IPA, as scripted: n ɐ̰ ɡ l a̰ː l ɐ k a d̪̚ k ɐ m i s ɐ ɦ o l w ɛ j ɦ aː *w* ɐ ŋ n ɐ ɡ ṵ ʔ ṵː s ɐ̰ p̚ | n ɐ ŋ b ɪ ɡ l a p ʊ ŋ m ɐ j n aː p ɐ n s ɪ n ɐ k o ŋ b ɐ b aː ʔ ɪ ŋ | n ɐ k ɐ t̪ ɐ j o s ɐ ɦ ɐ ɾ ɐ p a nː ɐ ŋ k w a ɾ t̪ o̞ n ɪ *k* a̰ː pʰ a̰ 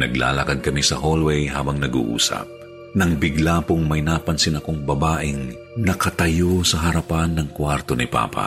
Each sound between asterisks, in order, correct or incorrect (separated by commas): incorrect, incorrect